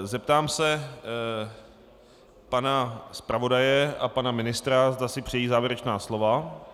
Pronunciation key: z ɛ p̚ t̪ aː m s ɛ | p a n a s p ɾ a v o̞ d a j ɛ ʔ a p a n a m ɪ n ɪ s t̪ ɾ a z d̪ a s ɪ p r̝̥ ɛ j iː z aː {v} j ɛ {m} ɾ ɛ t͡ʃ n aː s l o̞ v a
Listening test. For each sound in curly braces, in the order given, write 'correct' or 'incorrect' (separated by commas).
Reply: correct, incorrect